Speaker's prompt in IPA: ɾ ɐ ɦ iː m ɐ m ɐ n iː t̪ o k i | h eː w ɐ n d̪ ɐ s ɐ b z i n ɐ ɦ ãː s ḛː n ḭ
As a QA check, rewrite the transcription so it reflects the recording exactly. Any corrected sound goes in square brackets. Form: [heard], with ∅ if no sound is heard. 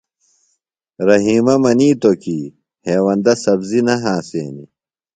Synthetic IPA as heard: ɾ ɐ ɦ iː m ɐ m ɐ n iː t̪ o k i | h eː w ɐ n d̪ ɐ s ɐ b z i n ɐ ɦ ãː s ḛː n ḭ

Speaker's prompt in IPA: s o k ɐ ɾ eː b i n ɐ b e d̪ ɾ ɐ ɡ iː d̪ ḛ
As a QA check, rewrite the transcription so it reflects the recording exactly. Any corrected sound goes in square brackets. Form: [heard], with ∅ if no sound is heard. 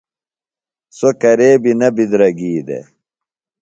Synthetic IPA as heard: s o k ɐ ɾ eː b i n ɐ b [i] d̪ ɾ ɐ ɡ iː d̪ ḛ

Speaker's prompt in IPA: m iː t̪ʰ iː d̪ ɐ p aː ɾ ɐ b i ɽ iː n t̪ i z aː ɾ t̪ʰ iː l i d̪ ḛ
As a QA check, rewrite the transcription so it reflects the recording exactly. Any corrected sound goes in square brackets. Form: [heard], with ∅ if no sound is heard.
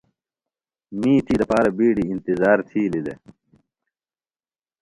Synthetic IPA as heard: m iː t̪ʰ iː d̪ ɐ p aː ɾ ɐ b [iː] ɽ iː n t̪ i z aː ɾ t̪ʰ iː l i d̪ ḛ

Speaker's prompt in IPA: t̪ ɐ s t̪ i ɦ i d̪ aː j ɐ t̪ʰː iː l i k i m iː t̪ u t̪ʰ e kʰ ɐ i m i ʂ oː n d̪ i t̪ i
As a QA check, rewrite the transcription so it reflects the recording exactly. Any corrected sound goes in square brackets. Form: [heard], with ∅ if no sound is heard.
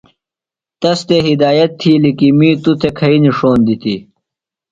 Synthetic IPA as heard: t̪ ɐ s t̪ [e] ɦ i d̪ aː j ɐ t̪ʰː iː l i k i m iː t̪ u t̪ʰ e kʰ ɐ i [n] i ʂ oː n d̪ i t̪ i

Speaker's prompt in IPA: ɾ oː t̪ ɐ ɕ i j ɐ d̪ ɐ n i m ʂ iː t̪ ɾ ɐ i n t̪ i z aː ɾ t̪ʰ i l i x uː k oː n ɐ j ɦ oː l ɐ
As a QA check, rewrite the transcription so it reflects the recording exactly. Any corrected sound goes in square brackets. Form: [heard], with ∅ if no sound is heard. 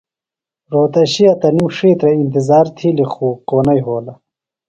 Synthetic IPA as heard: ɾ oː t̪ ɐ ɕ i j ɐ [t̪] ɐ n i m ʂ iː t̪ ɾ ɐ i n t̪ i z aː ɾ t̪ʰ i l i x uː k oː n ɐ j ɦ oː l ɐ

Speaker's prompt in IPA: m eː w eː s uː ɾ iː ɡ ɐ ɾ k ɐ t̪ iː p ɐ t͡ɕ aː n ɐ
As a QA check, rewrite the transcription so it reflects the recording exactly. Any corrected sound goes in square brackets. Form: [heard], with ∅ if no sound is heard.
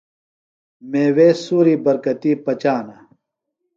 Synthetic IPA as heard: m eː w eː s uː ɾ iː [b] ɐ ɾ k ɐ t̪ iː p ɐ t͡ɕ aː n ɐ

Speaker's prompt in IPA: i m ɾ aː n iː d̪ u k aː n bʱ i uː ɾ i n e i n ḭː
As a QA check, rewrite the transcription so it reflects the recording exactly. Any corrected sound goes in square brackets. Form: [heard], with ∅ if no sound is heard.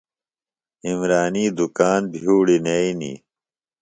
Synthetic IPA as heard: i m ɾ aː n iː d̪ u k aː n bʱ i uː [ɽ] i n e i n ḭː

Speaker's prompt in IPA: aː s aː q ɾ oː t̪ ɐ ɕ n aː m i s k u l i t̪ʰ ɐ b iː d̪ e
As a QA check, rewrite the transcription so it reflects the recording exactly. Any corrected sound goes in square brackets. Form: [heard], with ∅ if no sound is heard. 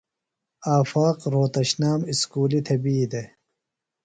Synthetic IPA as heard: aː [f] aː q ɾ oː t̪ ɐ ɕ n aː m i s k [uː] l i t̪ʰ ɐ b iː d̪ e

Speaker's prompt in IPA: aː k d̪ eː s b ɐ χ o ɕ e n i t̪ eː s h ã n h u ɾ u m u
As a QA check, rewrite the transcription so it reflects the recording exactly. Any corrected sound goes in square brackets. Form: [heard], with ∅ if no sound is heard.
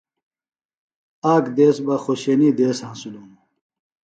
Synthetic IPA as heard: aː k d̪ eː s b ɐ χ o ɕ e n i [d̪] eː s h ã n [s] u [l] u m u

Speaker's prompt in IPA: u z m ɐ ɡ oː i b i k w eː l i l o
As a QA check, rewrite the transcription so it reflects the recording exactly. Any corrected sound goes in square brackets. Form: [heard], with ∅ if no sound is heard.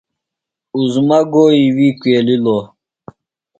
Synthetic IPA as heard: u z m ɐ ɡ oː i [w] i k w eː l i l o

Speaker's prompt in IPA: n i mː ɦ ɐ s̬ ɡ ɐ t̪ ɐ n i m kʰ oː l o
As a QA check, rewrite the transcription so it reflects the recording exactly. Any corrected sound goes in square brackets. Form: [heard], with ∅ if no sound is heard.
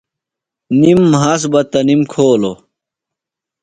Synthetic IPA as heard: n i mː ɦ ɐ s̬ [b] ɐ t̪ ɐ n i m kʰ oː l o

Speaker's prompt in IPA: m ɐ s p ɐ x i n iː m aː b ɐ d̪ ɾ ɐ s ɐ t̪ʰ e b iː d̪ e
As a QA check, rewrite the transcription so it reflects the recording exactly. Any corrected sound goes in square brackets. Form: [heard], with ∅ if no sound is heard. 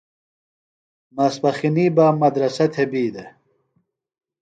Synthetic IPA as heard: m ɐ s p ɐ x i n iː [b] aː [m] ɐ d̪ ɾ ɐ s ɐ t̪ʰ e b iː d̪ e

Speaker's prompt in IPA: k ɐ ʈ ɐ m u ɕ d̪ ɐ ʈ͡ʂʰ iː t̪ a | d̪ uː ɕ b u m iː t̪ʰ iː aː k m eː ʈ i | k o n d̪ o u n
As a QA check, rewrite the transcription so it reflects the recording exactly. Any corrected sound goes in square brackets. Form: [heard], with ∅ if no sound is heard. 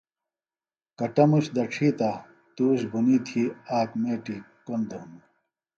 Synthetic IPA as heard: k ɐ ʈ ɐ m u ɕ d̪ ɐ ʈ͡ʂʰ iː t̪ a | [t̪] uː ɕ b u [n] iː t̪ʰ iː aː k m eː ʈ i | k o n d̪ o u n

